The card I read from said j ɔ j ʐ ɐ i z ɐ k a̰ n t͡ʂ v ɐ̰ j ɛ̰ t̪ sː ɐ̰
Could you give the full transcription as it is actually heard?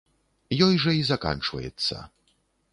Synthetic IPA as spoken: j ɔ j ʐ ɐ i z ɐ k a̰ n t͡ʂ v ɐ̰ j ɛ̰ t̪ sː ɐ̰